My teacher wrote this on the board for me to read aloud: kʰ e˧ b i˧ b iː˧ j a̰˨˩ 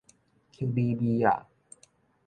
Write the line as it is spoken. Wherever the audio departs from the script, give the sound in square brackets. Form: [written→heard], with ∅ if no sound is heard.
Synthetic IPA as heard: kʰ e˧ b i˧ b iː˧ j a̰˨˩